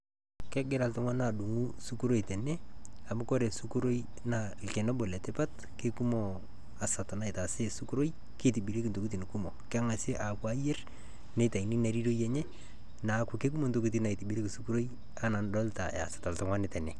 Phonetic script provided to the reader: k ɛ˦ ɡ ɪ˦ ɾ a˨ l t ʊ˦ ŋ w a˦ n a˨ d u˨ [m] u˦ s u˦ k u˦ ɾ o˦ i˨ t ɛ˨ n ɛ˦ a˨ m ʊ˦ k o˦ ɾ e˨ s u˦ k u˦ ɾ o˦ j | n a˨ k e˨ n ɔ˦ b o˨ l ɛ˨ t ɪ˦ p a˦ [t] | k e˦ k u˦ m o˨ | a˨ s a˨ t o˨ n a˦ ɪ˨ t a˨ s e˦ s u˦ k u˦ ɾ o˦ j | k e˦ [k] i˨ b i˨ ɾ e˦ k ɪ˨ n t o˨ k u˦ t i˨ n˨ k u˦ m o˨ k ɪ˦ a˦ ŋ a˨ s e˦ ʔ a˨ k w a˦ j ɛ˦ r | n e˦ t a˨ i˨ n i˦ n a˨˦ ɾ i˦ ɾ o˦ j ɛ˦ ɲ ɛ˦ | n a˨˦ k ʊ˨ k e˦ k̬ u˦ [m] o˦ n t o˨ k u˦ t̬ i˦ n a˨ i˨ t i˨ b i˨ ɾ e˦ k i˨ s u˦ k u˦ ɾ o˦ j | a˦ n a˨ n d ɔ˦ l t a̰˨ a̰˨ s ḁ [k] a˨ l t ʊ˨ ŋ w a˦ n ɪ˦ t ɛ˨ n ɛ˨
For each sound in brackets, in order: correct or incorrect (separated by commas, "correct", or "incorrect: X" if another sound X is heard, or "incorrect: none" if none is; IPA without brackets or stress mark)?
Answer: incorrect: ŋ, correct, incorrect: t, correct, incorrect: t